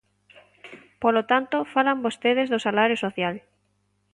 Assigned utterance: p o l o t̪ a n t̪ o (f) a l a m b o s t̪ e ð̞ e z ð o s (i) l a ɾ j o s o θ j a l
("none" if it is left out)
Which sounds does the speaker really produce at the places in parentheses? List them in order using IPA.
f, a

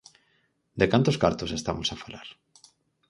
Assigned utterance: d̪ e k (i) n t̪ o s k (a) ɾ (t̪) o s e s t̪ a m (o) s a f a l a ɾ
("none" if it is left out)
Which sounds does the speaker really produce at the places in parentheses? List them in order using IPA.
a, a, t̪, o

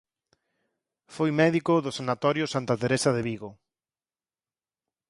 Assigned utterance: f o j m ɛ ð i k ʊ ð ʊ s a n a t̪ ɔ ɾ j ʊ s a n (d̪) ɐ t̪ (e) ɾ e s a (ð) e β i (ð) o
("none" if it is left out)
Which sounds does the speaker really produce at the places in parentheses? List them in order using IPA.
t̪, e, ð, ɣ

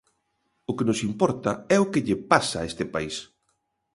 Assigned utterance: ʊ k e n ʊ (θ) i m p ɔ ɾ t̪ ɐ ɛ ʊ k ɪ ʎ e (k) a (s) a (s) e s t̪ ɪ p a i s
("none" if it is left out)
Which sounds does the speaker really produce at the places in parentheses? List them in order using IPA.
s, p, s, none

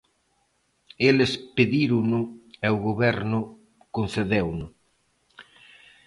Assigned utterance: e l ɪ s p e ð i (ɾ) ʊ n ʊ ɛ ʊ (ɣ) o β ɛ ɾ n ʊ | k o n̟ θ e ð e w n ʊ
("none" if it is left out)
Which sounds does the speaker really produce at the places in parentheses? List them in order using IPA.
ɾ, ɣ

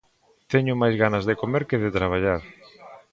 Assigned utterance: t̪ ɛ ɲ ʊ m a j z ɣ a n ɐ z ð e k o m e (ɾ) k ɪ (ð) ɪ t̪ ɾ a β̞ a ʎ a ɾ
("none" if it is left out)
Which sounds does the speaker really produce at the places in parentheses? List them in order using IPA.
ɾ, ð

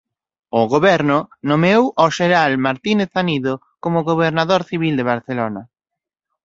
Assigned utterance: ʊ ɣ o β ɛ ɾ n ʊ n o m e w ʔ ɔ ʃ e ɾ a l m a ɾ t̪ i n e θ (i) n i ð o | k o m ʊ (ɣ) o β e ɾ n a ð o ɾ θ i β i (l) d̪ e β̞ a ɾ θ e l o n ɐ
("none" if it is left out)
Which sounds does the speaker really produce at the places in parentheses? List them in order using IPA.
a, ɣ, l

